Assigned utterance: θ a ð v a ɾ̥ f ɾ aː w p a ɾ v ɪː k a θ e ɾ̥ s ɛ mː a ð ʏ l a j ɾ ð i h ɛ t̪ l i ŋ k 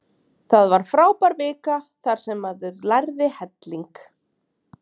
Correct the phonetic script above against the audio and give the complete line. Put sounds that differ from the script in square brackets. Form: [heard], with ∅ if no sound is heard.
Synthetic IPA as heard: θ a ð v a ɾ̥ f ɾ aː w p a ɾ v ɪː k a θ [a] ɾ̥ s ɛ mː a ð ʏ l a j ɾ ð [ɪ] h ɛ t̪ l i ŋ k